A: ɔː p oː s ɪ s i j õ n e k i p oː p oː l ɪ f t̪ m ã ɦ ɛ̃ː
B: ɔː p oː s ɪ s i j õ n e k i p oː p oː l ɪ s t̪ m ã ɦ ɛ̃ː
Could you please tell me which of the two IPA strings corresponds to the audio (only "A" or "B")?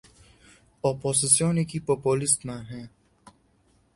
B